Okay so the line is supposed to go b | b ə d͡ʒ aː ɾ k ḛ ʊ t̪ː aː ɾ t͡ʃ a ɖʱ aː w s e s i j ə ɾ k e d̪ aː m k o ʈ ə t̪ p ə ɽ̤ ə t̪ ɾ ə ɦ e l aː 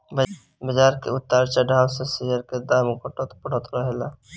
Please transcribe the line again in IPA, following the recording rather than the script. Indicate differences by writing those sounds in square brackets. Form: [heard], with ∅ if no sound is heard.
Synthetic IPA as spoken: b | b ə d͡ʒ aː ɾ k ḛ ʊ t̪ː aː ɾ t͡ʃ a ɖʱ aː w s e s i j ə ɾ k e d̪ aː m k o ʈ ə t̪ p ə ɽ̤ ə t̪ ɾ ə ɦ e l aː